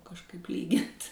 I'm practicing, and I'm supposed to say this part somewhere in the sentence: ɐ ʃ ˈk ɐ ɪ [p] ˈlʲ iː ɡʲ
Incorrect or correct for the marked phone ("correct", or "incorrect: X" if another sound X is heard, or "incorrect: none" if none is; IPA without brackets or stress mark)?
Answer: correct